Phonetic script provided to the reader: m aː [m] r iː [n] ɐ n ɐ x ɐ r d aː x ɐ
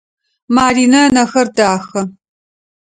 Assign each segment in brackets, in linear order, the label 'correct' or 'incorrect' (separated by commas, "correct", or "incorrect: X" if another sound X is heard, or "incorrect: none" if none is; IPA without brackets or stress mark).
incorrect: none, correct